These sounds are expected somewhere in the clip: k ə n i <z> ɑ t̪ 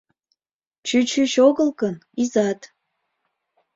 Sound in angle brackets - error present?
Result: no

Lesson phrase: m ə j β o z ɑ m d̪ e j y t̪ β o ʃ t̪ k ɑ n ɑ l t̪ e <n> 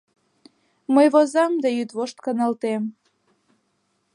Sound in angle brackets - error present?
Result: yes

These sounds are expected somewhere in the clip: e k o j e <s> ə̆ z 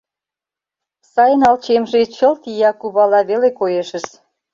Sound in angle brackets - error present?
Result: yes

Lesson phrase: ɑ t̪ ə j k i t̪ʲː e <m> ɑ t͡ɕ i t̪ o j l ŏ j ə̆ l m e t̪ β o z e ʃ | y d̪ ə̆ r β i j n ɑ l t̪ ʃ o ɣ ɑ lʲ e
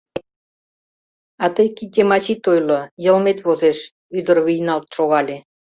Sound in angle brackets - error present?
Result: no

